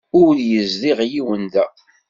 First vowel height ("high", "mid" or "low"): high